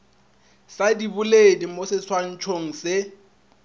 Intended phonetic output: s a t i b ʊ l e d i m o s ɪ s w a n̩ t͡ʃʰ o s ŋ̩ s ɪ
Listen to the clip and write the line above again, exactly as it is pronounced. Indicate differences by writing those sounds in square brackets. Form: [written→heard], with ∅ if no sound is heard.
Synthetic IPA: s a [t→d] i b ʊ l e d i m o s ɪ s w a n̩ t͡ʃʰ o [s→∅] ŋ̩ s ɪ